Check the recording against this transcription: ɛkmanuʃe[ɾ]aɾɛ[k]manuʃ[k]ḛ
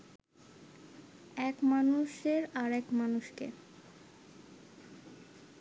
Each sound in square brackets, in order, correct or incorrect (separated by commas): correct, correct, correct